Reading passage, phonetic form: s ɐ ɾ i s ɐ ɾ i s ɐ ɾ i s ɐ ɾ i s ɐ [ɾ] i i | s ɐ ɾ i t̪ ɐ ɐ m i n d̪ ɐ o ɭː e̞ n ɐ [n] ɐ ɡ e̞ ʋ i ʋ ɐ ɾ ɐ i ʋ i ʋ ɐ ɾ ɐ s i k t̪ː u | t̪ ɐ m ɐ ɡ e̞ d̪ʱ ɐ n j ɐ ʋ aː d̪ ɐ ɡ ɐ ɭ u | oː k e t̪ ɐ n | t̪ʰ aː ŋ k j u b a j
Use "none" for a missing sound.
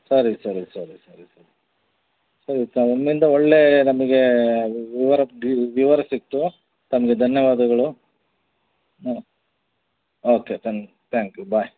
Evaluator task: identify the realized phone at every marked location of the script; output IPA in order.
ɾ, m

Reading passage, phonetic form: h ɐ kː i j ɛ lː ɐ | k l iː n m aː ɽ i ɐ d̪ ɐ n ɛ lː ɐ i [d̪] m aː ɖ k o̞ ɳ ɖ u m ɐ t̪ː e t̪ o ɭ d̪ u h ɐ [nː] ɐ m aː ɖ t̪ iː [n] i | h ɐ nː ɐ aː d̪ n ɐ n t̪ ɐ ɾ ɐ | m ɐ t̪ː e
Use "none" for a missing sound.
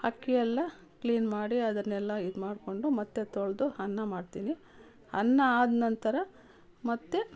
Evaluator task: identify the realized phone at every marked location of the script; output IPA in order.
d̪, nː, n

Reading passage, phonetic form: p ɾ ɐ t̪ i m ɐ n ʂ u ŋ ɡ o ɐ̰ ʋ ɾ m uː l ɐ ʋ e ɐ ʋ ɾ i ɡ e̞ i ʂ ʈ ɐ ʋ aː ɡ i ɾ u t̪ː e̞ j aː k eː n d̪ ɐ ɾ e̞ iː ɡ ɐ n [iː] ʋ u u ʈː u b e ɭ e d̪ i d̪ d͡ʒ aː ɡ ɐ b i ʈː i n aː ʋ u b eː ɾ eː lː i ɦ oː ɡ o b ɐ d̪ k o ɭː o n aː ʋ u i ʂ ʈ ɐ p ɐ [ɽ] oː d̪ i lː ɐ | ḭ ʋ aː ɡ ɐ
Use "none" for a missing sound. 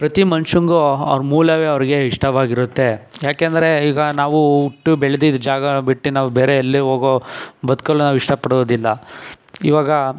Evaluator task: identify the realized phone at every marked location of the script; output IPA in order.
aː, ɽ

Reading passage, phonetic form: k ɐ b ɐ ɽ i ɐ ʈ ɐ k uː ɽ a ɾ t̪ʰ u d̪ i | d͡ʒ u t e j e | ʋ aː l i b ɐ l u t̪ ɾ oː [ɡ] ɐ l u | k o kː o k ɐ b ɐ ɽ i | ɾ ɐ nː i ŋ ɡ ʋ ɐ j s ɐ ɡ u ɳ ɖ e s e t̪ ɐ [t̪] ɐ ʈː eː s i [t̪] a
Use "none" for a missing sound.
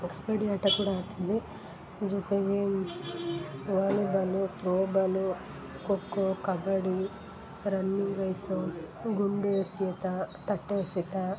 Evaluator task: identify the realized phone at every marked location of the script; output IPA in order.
b, t̪, t̪

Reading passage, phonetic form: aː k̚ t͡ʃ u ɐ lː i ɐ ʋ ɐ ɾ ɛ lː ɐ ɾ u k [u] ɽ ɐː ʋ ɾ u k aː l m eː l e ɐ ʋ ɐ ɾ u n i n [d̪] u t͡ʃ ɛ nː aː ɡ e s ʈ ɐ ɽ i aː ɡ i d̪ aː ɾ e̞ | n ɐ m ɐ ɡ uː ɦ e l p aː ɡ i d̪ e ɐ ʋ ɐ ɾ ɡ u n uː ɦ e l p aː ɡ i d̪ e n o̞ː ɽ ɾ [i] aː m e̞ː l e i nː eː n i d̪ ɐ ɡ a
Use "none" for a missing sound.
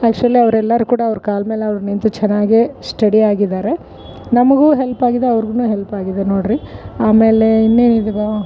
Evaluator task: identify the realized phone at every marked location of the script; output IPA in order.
uː, t̪, i

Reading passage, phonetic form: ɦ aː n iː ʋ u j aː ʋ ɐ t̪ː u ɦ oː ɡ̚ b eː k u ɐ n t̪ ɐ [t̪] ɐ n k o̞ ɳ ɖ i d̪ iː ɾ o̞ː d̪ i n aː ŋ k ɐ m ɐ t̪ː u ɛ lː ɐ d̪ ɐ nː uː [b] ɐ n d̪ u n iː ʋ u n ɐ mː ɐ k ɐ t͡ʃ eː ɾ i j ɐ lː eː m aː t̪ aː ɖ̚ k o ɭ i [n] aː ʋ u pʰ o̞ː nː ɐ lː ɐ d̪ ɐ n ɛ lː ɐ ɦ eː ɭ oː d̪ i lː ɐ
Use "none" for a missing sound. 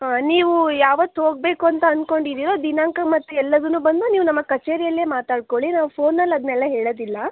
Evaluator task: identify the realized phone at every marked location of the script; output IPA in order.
none, b, n

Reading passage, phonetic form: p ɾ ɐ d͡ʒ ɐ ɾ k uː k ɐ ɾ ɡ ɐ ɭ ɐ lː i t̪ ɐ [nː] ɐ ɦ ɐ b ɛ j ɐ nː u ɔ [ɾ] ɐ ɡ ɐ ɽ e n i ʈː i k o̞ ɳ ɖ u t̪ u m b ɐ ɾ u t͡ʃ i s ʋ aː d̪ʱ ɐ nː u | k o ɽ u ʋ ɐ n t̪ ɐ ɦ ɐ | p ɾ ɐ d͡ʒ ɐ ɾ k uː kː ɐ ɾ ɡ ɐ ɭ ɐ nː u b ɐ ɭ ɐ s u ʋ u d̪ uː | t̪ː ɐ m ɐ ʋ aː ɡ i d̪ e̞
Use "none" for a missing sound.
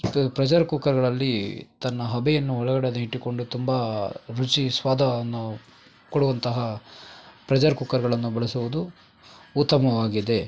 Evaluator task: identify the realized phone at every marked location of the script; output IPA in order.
nː, ɭ

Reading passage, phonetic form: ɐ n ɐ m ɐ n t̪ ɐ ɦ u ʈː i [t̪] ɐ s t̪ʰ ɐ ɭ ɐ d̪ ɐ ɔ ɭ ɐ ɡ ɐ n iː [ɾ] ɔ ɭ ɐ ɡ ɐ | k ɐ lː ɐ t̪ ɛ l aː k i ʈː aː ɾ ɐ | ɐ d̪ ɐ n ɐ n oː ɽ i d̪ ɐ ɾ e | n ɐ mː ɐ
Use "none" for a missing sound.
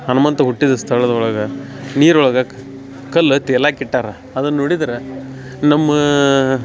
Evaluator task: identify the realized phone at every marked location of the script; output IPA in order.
d̪, ɾ

